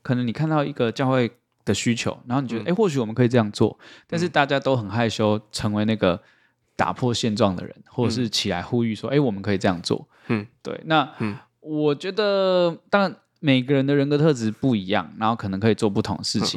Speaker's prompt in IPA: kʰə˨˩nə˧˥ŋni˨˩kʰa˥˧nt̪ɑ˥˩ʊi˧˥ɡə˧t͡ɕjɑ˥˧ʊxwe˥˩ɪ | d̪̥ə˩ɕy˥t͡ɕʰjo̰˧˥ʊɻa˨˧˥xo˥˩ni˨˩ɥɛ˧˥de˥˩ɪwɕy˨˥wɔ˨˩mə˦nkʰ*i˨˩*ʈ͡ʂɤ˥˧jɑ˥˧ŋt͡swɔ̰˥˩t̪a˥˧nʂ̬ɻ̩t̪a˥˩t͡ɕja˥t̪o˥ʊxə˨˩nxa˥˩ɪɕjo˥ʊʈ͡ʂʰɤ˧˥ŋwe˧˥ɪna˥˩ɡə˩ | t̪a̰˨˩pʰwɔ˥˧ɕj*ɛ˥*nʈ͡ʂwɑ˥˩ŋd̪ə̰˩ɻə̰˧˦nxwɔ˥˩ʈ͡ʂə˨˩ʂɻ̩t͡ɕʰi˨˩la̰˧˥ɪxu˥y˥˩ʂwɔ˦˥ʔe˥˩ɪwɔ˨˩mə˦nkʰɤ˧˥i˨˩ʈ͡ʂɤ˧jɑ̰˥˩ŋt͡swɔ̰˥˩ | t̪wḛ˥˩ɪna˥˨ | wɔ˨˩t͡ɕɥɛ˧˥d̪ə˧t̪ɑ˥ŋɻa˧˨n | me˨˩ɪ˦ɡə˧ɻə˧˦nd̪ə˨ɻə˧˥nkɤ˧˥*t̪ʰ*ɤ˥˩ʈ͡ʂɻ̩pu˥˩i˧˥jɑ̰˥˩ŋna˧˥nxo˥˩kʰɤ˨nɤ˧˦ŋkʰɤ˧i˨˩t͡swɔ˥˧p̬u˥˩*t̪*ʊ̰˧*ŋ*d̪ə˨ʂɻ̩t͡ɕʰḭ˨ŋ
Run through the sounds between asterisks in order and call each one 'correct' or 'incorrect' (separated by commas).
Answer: correct, incorrect, correct, incorrect, correct